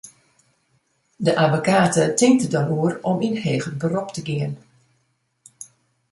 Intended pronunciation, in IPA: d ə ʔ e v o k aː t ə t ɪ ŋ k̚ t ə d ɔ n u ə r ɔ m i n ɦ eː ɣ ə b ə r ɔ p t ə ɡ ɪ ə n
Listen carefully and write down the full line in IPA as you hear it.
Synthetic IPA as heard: d ə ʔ a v o k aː t ə t ɪ ŋ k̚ t ə d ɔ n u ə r ɔ m i n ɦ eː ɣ ə b ə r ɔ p t ə ɡ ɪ ə n